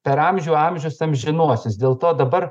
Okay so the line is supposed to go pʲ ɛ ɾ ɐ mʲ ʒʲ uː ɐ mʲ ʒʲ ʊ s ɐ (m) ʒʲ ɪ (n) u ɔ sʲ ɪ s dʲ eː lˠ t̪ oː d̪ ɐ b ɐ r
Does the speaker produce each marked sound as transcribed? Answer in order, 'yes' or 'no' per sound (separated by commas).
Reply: yes, yes